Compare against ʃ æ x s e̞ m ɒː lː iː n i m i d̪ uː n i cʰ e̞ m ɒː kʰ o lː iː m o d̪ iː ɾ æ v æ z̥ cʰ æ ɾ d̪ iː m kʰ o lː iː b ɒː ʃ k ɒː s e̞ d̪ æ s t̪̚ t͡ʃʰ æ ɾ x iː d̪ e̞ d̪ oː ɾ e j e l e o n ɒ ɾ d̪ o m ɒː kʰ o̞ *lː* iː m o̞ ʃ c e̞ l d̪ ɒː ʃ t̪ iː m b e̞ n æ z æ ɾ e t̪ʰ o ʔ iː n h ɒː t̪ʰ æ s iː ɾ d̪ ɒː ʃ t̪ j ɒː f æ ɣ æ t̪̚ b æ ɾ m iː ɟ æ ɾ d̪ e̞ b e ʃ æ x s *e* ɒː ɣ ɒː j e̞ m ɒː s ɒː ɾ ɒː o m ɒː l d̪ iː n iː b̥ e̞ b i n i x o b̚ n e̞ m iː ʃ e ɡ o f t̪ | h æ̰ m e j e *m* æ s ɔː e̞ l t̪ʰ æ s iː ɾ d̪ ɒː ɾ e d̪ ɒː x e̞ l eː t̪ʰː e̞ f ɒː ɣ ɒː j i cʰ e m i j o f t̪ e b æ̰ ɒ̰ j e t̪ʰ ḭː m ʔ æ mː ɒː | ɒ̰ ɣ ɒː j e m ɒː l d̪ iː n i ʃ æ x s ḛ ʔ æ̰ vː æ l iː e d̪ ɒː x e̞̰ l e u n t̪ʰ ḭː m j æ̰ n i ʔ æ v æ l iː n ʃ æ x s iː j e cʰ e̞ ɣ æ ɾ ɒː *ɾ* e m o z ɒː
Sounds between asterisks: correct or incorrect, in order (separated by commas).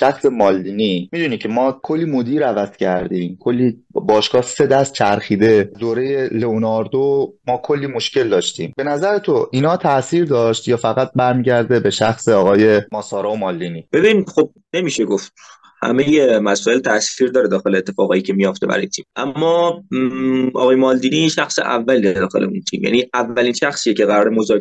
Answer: correct, correct, correct, correct